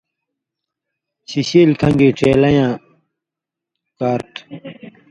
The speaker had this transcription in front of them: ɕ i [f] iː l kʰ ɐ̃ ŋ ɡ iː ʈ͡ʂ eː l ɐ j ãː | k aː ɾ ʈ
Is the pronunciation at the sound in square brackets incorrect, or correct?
incorrect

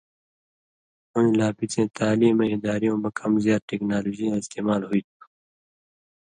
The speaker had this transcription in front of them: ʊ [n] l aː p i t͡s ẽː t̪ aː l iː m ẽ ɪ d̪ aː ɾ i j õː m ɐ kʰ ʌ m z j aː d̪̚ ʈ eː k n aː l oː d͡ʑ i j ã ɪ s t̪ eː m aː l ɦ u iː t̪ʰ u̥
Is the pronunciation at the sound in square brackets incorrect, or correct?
correct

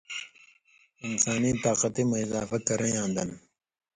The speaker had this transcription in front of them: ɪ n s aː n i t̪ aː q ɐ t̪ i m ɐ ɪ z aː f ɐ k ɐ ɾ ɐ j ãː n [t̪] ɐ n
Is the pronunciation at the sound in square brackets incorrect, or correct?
incorrect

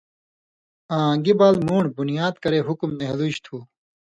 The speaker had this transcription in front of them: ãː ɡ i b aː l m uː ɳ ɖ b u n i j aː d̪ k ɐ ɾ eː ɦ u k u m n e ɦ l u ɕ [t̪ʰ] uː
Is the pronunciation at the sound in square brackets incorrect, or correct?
correct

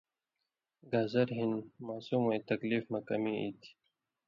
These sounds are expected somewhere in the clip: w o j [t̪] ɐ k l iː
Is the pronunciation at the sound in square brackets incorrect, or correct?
correct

